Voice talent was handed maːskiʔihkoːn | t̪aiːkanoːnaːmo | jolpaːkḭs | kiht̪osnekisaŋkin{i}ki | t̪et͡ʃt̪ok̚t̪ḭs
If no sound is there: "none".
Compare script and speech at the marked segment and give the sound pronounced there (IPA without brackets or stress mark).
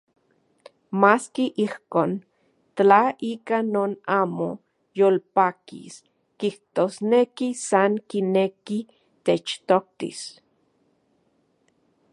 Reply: e